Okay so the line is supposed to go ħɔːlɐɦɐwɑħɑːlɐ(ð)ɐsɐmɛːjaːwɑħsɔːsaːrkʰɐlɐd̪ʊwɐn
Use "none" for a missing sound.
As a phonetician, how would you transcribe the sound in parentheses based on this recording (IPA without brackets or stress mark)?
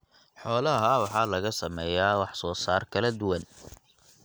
ɣ